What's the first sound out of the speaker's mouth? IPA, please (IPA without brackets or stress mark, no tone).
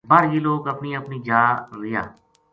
b